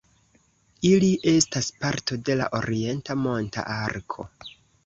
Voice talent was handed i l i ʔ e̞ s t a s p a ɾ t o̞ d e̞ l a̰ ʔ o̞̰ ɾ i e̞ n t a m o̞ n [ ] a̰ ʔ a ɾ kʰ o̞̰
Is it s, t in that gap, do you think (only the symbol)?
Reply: t